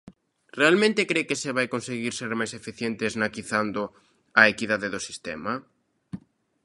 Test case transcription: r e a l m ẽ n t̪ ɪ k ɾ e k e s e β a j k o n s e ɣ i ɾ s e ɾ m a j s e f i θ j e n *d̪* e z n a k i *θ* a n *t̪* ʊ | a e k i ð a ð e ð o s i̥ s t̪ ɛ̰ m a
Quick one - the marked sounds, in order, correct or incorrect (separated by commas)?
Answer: incorrect, correct, incorrect